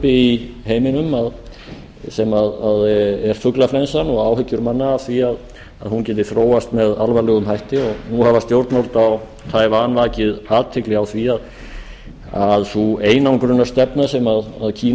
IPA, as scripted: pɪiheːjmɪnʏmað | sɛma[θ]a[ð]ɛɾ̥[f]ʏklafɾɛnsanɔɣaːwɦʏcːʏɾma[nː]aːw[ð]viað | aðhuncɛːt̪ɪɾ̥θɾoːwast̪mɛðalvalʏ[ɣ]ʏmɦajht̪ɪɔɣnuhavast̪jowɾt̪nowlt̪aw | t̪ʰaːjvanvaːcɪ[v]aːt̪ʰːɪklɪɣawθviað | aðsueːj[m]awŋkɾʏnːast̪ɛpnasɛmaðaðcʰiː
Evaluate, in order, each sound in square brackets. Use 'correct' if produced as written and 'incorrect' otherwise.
incorrect, correct, correct, correct, incorrect, correct, incorrect, incorrect

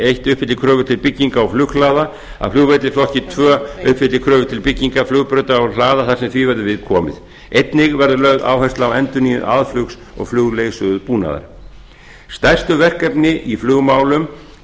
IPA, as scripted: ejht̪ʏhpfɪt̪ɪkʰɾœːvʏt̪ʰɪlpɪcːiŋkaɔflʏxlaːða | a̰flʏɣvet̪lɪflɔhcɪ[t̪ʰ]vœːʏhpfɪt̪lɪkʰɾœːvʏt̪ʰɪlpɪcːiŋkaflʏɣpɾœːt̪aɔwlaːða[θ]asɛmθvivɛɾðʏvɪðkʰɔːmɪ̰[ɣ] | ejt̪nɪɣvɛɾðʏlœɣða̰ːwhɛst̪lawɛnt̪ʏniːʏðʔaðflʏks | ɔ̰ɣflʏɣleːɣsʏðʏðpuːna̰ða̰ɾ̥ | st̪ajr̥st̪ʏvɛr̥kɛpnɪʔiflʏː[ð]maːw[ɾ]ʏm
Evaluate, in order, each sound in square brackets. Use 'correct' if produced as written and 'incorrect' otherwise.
correct, correct, incorrect, incorrect, incorrect

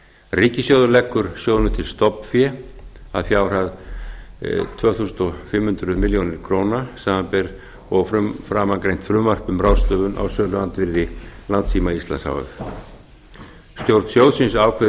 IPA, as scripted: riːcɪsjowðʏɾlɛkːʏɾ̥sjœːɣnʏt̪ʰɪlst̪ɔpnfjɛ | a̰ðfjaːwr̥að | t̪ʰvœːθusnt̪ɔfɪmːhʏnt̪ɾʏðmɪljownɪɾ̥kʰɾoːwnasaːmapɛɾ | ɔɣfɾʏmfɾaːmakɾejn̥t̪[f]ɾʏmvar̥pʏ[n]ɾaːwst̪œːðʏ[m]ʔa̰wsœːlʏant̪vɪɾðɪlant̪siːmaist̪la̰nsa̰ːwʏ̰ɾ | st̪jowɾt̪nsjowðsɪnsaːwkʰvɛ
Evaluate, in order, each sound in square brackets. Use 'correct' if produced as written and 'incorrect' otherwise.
correct, incorrect, incorrect

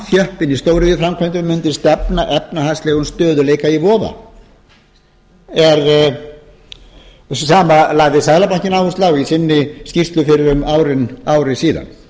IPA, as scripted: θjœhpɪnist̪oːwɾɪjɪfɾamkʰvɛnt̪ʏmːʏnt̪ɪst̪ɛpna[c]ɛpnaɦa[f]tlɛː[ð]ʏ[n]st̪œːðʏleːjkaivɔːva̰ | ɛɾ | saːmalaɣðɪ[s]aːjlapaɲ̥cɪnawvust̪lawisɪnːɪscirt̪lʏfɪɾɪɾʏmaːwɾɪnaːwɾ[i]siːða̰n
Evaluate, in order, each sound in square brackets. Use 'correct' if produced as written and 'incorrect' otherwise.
incorrect, incorrect, incorrect, correct, correct, incorrect

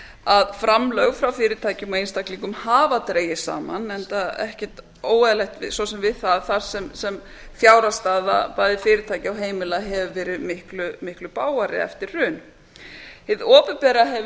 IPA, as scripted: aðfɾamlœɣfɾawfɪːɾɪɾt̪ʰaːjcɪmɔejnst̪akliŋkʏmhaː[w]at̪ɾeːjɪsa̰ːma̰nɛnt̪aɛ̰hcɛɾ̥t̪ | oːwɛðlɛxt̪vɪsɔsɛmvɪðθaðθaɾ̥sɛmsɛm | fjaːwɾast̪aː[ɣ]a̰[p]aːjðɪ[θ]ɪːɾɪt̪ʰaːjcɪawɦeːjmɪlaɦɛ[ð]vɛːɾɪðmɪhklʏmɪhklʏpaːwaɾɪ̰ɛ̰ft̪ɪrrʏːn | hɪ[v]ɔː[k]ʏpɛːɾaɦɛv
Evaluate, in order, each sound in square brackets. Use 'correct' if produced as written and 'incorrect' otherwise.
incorrect, incorrect, correct, incorrect, incorrect, incorrect, incorrect

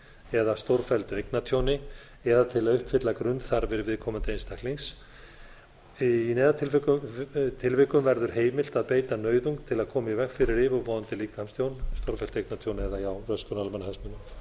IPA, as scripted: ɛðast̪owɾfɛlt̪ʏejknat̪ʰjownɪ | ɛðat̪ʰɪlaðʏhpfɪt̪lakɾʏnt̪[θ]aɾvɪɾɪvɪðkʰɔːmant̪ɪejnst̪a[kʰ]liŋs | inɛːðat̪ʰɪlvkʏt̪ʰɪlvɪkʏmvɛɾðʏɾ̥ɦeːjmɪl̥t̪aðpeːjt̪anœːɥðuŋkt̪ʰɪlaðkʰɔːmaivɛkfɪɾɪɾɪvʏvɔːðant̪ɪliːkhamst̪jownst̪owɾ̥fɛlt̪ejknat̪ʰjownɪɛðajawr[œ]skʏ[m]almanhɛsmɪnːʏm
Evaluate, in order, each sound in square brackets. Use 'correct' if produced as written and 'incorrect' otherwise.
correct, incorrect, correct, incorrect

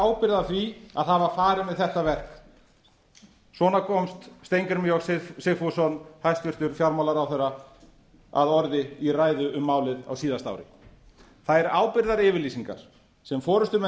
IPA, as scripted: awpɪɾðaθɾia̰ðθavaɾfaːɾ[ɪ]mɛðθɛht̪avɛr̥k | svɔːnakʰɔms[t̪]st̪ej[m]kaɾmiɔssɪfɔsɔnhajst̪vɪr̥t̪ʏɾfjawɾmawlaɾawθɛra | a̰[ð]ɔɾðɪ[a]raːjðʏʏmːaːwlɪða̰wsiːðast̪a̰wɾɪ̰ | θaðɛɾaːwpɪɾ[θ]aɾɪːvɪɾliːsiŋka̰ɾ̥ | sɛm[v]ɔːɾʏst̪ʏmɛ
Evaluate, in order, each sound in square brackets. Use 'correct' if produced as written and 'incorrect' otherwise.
correct, correct, incorrect, correct, incorrect, incorrect, incorrect

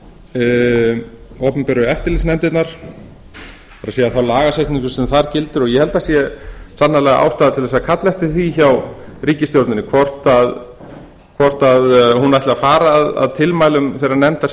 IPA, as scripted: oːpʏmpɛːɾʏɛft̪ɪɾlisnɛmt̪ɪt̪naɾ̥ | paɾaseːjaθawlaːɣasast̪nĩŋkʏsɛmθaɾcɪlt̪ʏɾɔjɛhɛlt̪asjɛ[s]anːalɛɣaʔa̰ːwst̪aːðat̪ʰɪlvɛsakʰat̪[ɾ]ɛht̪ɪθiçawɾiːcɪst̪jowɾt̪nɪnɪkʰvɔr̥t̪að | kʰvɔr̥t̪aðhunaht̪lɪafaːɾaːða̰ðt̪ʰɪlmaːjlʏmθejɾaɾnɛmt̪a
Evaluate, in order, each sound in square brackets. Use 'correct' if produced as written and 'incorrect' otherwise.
correct, incorrect

